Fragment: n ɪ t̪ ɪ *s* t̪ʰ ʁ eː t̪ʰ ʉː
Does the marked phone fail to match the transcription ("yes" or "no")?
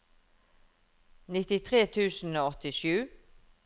yes